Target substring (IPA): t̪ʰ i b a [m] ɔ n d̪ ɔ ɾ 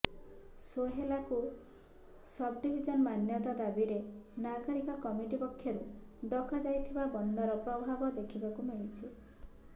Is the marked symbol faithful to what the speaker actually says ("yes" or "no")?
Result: no